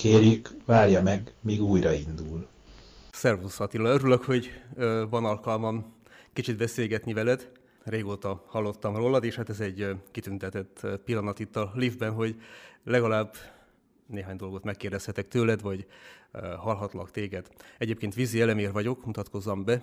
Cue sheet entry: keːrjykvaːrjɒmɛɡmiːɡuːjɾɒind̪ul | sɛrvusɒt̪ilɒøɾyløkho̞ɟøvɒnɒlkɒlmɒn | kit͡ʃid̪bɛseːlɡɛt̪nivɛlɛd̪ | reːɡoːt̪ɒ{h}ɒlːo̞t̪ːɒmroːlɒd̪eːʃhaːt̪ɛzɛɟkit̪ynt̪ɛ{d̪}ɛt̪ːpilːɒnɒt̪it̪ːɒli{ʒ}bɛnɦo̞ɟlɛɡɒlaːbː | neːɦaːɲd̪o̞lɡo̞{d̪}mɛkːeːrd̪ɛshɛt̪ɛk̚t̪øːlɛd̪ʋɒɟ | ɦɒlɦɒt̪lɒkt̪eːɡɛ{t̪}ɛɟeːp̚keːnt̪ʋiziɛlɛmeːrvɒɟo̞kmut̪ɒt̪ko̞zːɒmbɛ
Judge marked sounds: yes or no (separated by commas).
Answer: yes, no, no, no, no